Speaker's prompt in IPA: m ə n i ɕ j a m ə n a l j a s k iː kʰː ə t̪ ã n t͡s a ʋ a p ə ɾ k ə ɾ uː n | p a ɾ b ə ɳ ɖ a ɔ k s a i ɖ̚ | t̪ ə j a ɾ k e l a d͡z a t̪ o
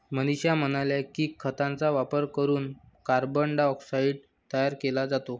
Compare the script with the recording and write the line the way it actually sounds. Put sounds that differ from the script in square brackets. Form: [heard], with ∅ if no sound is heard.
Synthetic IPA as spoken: m ə n i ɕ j a m ə n a l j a [∅] k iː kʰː ə t̪ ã n t͡s a ʋ a p ə ɾ k ə ɾ uː n | [k] a ɾ b ə ɳ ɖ a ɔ k s a i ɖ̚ | t̪ ə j a ɾ k e l a d͡z a t̪ o